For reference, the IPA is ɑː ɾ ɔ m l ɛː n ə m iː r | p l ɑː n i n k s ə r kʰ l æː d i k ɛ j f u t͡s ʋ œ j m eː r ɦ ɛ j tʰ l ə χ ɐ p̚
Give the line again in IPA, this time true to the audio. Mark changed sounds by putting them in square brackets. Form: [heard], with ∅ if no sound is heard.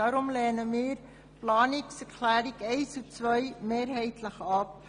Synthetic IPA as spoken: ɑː ɾ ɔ m l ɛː n ə m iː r | p l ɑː n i [∅] k s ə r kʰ l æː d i k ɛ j [s] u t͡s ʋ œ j m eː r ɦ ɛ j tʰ l ə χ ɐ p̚